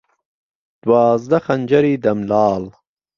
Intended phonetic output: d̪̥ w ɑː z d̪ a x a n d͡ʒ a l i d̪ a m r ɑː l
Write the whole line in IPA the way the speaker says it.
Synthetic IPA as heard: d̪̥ w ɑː z d̪ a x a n d͡ʒ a ɾ i d̪ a m l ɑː l